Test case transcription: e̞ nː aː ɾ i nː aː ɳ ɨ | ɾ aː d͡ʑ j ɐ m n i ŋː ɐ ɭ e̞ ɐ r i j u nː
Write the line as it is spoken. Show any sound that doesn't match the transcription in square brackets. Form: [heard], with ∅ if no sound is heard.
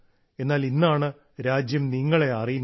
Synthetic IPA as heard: e̞ nː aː [l] i nː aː ɳ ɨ | ɾ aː d͡ʑ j ɐ m n i ŋː ɐ ɭ e̞ ɐ r i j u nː